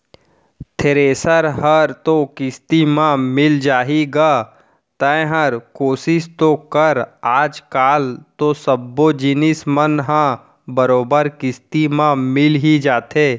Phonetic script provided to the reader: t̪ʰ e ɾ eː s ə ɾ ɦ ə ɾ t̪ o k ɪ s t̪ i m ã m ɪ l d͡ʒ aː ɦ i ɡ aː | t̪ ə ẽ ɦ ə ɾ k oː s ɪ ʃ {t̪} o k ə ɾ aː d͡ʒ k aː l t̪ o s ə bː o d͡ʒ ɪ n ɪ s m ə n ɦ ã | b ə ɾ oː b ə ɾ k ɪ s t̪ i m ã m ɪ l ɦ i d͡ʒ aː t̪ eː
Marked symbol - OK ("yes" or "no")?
yes